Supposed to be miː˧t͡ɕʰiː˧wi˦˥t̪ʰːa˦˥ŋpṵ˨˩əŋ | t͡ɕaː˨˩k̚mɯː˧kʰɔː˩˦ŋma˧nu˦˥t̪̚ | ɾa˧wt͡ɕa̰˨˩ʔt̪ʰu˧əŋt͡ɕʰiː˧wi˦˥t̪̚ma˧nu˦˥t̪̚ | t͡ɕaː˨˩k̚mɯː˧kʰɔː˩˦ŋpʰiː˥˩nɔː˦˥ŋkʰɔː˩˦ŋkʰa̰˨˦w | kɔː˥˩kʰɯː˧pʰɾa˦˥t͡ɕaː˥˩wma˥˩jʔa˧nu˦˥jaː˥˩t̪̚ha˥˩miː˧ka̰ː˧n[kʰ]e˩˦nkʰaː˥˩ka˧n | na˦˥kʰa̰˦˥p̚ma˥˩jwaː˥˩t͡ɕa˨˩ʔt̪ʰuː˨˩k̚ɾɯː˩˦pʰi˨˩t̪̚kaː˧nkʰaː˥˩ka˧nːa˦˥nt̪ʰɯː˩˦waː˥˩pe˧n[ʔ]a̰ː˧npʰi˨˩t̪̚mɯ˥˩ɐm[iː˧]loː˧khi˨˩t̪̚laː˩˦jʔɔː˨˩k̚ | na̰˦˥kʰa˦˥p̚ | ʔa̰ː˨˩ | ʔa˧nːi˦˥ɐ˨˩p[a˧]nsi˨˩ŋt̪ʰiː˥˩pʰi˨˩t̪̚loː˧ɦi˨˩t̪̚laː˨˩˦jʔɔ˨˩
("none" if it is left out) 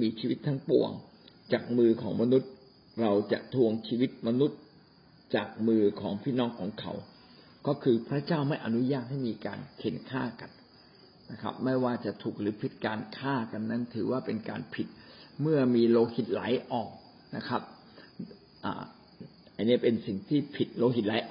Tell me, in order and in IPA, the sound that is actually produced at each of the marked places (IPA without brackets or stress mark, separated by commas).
kʰ, k, iː˧, e˧